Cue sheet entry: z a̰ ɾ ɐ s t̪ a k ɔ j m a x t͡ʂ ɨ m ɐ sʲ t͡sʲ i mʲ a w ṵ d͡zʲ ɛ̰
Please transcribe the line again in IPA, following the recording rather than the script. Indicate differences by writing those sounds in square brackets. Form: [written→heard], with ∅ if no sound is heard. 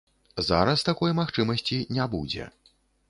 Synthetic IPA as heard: z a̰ ɾ ɐ s t̪ a k ɔ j m a x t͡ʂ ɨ m ɐ sʲ t͡sʲ i [mʲ→nʲ] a [w→b] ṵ d͡zʲ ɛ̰